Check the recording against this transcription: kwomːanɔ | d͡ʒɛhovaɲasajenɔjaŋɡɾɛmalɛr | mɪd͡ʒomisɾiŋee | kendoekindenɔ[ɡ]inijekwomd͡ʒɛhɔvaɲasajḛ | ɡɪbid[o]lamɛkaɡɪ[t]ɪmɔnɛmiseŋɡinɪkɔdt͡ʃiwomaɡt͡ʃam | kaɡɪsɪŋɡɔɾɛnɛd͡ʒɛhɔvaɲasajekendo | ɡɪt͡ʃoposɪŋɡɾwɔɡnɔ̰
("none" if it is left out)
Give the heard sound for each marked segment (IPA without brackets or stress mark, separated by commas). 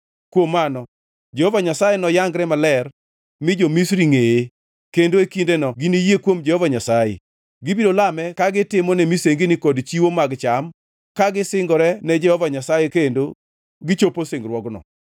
ɡ, o, t